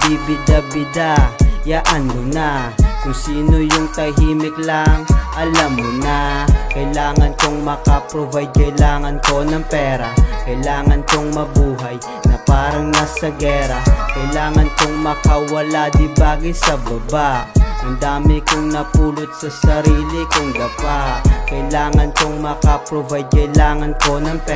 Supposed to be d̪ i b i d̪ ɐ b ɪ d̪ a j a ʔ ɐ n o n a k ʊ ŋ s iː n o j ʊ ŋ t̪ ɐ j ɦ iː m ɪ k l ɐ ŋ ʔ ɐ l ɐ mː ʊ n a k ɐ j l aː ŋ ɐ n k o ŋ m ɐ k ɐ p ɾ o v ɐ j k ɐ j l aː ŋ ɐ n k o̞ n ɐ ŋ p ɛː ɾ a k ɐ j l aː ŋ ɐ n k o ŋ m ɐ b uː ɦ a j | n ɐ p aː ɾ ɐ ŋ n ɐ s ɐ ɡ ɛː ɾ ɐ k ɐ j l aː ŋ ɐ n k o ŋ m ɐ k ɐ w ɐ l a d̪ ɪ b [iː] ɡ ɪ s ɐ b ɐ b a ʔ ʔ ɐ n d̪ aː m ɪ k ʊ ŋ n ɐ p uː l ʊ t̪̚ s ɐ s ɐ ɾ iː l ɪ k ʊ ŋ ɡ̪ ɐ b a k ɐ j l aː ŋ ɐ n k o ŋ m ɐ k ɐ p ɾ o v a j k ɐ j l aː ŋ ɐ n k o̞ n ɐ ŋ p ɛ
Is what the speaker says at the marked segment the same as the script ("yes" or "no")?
no